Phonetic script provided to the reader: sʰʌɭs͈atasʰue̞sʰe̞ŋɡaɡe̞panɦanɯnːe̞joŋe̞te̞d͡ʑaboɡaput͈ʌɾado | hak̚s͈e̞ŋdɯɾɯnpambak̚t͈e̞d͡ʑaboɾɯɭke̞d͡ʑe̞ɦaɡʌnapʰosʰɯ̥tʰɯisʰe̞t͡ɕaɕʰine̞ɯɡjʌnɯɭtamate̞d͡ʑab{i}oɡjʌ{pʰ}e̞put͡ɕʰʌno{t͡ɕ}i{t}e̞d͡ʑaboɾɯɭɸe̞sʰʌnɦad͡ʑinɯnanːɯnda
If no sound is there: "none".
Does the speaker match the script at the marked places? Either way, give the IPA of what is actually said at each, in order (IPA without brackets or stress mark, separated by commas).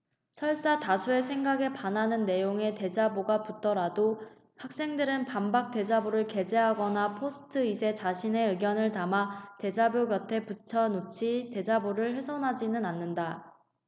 j, tʰ, t͡ɕʰ, t